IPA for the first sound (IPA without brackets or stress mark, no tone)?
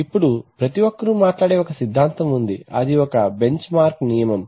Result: i